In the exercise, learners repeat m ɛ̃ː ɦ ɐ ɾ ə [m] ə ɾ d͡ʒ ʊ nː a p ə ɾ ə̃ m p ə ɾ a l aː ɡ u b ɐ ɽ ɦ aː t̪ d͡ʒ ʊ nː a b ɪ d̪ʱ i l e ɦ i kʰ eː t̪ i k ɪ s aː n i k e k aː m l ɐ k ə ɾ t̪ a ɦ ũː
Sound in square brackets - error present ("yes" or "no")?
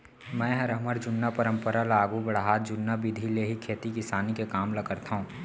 no